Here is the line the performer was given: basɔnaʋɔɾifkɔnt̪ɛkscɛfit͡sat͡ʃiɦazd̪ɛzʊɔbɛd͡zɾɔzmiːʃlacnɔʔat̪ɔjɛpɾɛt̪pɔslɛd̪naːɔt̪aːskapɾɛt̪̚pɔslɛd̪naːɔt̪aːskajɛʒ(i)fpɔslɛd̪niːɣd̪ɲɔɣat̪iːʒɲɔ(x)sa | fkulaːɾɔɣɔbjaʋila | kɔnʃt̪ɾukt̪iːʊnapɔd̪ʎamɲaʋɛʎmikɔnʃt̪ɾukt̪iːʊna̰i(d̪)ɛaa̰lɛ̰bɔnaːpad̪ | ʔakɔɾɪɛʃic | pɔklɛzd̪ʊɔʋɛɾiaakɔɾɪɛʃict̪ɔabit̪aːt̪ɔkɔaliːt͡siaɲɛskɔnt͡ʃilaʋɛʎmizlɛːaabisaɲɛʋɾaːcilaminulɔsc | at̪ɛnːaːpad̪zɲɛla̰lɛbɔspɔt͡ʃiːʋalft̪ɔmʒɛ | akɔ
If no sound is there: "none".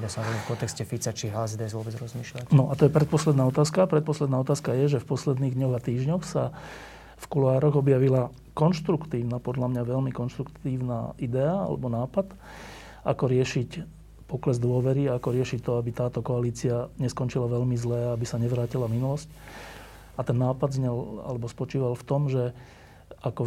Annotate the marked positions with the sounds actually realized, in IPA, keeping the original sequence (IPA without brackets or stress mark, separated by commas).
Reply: ɛ, x, d̪